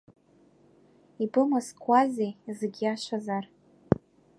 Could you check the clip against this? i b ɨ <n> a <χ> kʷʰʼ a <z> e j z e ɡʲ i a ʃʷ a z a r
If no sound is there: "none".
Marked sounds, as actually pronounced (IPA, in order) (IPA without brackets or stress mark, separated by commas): m, s, z